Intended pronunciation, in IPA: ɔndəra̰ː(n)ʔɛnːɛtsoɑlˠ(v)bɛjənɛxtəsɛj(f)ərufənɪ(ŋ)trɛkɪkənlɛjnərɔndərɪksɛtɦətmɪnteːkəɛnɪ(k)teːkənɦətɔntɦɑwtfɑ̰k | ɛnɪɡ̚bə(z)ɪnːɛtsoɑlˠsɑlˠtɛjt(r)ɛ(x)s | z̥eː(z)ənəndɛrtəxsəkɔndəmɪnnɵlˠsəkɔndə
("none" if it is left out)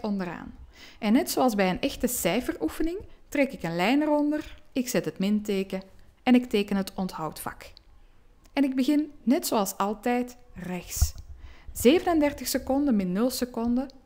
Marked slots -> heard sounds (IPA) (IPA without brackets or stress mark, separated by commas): n, z, f, ŋ, k, ɣ, r, x, v